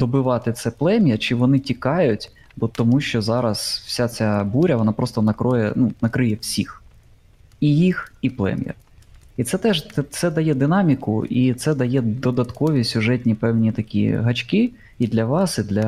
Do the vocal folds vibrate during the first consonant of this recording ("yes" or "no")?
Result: yes